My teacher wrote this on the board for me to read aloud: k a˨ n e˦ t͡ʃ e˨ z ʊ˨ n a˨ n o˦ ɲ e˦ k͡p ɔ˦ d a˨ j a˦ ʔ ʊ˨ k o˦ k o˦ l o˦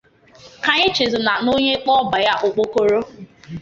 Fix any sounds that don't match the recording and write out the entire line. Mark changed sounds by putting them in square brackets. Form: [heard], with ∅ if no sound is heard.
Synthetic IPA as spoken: k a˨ [ɲ] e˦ t͡ʃ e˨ z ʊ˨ n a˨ n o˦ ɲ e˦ k͡p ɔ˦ [b] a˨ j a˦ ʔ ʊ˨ [k͡p] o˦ k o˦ [ɾ] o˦